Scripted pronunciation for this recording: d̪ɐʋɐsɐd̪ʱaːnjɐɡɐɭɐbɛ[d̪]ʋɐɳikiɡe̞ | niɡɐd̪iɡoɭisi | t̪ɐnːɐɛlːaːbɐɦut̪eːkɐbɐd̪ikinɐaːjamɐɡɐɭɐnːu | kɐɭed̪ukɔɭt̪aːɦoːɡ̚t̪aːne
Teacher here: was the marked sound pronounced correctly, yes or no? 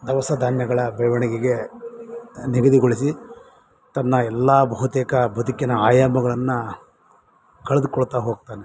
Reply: no